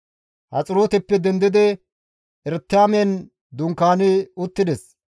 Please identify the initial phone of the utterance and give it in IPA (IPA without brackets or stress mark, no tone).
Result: h